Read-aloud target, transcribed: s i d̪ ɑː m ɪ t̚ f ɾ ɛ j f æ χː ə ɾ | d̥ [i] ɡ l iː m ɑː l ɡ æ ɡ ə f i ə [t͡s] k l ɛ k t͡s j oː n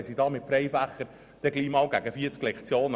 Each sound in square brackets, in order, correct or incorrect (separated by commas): incorrect, correct